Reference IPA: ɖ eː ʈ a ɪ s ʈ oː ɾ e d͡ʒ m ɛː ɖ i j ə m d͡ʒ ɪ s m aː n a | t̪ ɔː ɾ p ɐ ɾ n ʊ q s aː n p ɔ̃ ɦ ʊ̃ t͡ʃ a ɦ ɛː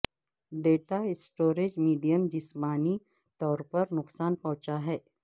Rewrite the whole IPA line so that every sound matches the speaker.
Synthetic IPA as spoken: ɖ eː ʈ a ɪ s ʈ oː ɾ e d͡ʒ m iː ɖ i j ə m d͡ʒ ɪ s m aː n i | t̪ ɔː ɾ p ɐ ɾ n ʊ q s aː n p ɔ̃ ɦ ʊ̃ t͡ʃ a ɦ ɛː